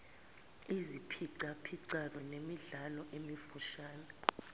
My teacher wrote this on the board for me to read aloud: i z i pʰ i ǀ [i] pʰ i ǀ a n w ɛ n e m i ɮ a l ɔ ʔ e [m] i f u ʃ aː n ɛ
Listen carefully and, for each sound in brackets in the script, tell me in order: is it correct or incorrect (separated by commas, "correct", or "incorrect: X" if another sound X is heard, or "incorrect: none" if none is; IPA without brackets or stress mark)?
incorrect: a, correct